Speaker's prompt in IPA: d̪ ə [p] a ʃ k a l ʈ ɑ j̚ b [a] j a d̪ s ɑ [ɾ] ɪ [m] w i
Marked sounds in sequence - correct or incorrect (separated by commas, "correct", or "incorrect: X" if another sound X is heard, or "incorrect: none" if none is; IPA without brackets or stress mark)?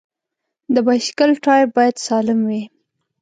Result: incorrect: b, incorrect: ɑ, incorrect: l, correct